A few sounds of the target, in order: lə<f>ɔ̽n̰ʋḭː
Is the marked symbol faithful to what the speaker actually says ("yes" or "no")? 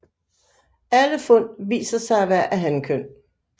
yes